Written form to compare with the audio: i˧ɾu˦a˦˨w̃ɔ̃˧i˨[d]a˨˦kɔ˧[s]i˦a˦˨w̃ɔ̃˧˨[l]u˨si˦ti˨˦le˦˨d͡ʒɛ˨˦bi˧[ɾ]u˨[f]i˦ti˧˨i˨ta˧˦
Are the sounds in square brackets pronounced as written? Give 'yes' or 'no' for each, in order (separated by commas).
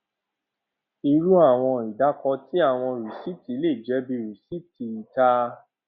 yes, no, no, yes, no